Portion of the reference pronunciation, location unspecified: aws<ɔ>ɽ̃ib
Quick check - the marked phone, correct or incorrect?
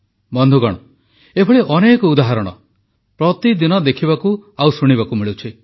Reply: incorrect: u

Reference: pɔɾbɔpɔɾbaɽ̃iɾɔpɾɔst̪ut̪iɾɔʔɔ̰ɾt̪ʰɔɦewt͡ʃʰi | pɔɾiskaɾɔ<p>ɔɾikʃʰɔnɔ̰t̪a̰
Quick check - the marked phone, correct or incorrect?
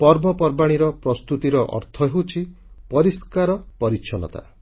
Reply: correct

